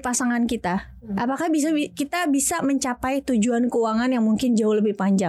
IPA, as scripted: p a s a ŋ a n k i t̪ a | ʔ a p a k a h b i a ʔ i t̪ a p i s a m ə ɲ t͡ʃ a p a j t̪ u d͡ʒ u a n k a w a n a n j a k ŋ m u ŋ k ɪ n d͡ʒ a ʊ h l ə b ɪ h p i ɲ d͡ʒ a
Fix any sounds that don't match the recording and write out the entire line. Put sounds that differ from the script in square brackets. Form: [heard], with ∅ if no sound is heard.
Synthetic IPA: p a s a ŋ a n k i t̪ a | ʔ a p a k a h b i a [k] i t̪ a [b] i s a m ə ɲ t͡ʃ a p a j t̪ u d͡ʒ u a n k [ə] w a [ŋ] a n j a [∅] ŋ m u ŋ k ɪ n d͡ʒ a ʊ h l ə b ɪ h p [a] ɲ d͡ʒ a